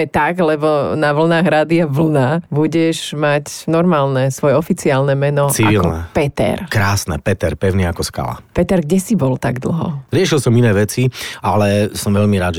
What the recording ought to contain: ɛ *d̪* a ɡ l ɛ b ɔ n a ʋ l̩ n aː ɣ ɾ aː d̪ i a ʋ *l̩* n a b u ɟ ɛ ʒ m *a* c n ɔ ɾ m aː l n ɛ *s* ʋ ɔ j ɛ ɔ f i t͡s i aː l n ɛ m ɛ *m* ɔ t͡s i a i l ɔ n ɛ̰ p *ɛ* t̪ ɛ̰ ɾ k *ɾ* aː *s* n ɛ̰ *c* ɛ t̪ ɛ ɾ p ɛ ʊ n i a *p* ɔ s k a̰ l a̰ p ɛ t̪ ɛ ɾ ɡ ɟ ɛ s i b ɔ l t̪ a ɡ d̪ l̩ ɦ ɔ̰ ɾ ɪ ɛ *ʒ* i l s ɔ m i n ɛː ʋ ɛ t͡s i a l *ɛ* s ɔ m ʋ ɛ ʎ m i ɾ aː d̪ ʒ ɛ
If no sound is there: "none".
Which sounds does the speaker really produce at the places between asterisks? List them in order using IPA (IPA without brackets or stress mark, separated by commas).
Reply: t̪, l̩, a, s, n, ɛ, ɾ, s, p, k, ʃ, ɛ